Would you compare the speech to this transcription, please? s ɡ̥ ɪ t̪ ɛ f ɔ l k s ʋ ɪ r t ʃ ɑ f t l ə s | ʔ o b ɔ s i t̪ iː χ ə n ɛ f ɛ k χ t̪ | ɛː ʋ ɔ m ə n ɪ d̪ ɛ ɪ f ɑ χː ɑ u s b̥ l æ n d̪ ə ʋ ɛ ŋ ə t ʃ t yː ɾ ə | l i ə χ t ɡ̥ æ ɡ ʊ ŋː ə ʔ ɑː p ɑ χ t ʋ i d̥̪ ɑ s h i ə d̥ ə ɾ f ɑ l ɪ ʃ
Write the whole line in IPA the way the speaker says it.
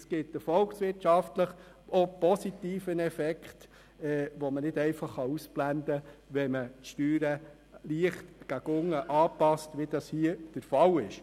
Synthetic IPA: s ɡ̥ ɪ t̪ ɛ f ɔ l k s ʋ ɪ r t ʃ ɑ f t l ə χ | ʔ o p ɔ s i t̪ iː f ə n ɛ f ɛ k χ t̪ | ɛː ʋ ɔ m ə n ɪ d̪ ɛ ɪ f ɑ χː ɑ u s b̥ l æ n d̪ ə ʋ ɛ m ə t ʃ t yː ɾ ə | l i ə χ t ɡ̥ æ ɡ ʊ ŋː ə ʔ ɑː p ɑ s t ʋ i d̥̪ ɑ s h i ə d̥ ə ɾ f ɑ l ɪ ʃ

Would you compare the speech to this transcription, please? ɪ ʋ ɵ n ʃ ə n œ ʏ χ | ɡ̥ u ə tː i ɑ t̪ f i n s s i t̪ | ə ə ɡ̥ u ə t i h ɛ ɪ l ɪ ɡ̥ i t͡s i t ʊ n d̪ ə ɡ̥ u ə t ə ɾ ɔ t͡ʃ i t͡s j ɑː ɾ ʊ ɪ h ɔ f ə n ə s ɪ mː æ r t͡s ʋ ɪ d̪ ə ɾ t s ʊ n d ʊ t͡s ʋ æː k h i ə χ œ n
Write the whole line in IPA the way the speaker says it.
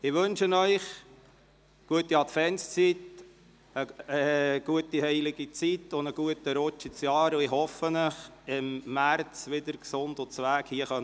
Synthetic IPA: ɪ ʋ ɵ n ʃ ə n œ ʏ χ | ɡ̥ u ə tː i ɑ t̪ f ɛ n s t͡s i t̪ | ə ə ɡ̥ u ə t i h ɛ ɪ l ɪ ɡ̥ i t͡s i t ʊ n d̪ ə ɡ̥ u ə t ə ɾ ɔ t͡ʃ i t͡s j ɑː ɾ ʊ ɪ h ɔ f ə n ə χ ɪ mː æ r t͡s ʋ ɪ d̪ ə ɾ k s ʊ n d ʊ t͡s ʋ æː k h i ə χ œ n

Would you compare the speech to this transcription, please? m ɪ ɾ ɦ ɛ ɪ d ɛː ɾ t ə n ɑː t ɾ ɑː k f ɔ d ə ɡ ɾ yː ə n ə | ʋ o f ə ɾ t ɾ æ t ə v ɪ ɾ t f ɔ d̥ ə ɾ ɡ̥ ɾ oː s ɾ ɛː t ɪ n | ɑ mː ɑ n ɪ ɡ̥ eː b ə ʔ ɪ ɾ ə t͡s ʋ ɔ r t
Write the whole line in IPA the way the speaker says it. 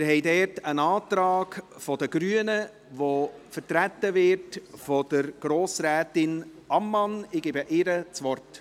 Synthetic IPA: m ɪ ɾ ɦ ɛ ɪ d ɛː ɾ t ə n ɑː t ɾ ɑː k f ɔ d ə ɡ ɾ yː ə n ə | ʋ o f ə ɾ t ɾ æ t ə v ɪ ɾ t f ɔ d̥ ə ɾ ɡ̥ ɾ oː s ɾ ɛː t ɪ n | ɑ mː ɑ n ɪ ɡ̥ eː b ə ʔ ɪ ɾ ə t͡s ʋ ɔ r t

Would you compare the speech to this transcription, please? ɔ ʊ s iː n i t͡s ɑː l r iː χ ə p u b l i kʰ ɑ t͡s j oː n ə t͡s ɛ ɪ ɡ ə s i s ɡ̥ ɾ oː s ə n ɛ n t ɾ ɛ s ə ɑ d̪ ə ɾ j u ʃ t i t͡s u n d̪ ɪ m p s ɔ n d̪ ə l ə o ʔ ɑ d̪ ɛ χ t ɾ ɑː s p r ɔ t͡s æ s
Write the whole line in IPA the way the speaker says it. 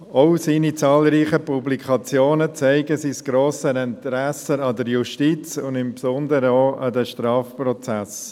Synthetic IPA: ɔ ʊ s iː n i t͡s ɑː l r iː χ ə p u b l i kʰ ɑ t͡s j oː n ə t͡s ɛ ɪ ɡ ə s i s ɡ̥ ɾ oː s ə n ɛ n t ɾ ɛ s ə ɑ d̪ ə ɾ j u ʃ t i t͡s ʊ n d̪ ɪ m p s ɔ n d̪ ə ɾ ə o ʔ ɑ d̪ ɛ ʃ t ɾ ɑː f p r ɔ t͡s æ s

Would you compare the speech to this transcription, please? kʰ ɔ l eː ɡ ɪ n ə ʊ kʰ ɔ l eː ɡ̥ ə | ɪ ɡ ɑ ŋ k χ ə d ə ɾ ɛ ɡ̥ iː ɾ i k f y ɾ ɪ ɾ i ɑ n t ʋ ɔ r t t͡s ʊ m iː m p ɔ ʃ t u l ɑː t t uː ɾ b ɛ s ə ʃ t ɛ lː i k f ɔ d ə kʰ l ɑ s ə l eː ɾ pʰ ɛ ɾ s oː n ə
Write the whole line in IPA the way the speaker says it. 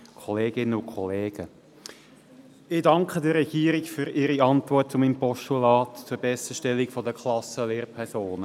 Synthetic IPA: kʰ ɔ l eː ɡ ɪ n ə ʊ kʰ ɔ l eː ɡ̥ ə | ɪ d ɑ ŋ k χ ə d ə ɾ ɛ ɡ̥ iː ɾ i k f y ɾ ɪ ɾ i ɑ n t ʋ ɔ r t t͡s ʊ m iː m p ɔ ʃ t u l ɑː t t͡s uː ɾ b ɛ s ə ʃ t ɛ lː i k f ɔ d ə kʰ l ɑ s ə l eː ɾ pʰ ɛ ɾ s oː n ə

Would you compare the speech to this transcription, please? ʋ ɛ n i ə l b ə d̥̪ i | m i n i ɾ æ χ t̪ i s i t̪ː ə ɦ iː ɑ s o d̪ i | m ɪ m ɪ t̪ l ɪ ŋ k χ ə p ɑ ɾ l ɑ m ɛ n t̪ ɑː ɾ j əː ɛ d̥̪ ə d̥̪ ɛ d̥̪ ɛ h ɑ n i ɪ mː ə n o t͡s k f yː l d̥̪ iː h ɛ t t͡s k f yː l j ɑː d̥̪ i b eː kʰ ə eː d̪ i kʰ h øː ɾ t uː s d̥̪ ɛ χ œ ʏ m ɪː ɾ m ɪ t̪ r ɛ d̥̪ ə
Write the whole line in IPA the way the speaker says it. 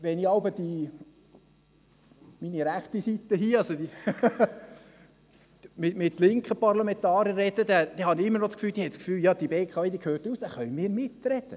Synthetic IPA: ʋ ɛ n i ɑ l b ə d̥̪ i | m i n i ɾ æ χ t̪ i s i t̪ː ə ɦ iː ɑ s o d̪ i | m ɪ m ɪ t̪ l ɪ ŋ k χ ə p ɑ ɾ l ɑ m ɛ n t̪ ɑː ɾ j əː ɛ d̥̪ ə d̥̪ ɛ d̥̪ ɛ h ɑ n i ɪ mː ə n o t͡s k f yː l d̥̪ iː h ɛ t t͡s k f yː l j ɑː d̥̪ i b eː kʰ ɑ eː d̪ i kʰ h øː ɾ t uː s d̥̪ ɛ χ œ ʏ m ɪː ɾ m ɪ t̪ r ɛ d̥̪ ə

